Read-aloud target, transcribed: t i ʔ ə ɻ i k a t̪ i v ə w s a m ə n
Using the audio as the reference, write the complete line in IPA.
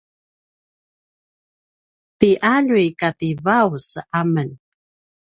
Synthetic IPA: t i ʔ a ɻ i k a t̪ i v a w s a m ə n